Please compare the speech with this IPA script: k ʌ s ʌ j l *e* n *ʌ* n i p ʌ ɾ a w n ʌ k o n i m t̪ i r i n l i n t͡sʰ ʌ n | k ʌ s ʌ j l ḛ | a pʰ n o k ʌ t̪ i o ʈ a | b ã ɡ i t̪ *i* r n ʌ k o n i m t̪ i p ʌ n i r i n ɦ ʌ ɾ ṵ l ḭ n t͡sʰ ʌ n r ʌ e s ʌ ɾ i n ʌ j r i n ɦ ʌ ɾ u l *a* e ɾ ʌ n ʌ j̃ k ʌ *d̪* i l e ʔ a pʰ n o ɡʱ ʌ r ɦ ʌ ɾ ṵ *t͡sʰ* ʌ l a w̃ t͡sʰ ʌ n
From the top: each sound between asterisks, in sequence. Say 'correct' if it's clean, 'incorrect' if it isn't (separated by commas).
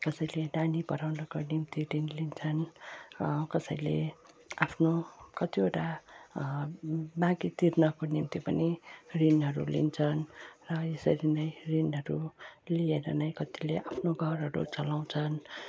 correct, incorrect, correct, incorrect, incorrect, incorrect